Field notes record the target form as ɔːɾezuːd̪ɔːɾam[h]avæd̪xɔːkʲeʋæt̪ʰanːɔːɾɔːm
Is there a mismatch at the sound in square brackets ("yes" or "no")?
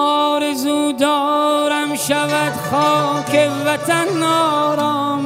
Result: yes